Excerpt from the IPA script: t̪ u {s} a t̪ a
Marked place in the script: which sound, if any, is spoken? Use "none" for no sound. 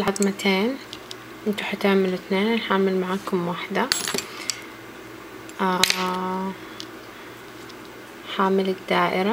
ħ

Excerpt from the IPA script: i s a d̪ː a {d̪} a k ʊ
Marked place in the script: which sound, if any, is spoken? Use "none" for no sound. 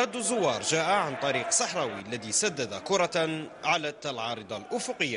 d̪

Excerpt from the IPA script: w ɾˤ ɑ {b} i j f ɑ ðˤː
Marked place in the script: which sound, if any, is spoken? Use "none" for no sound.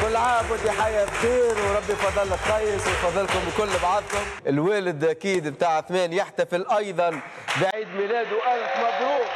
bː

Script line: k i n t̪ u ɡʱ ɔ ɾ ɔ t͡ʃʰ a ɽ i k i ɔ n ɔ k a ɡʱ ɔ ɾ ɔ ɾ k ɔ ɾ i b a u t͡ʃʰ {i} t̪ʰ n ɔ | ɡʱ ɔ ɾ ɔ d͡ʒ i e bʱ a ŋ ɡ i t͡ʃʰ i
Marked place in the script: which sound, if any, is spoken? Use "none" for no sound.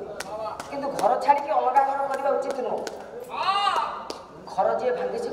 i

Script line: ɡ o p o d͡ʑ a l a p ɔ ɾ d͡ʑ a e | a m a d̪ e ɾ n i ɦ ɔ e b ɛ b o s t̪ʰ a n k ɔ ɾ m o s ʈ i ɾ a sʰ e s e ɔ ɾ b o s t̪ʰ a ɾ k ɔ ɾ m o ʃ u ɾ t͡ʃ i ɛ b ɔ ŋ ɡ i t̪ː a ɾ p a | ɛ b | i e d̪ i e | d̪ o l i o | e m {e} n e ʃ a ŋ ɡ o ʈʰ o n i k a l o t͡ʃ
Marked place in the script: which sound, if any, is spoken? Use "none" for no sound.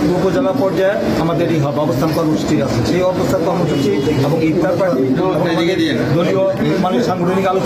a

